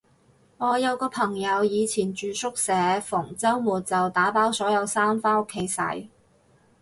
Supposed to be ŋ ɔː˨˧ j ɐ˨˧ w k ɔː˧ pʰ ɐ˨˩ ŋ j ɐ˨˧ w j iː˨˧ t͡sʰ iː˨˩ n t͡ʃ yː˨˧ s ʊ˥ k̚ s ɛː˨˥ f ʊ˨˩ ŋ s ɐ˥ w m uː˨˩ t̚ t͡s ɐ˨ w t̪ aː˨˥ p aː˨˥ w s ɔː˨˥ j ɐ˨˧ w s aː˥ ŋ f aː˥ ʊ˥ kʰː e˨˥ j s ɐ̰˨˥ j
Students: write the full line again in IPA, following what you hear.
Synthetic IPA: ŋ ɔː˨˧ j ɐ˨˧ w k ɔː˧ pʰ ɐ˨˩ ŋ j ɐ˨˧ w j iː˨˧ t͡sʰ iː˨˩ n t͡ʃ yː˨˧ s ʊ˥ k̚ s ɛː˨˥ f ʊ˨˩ ŋ t͡s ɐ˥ w m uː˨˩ t̚ t͡s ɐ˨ w t̪ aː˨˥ p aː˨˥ w s ɔː˨˥ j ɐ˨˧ w s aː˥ m f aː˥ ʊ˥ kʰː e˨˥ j s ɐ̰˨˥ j